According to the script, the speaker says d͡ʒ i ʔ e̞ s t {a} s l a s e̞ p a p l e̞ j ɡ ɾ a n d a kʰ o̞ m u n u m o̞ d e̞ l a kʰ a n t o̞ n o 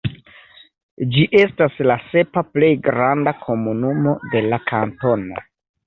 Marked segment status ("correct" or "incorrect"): correct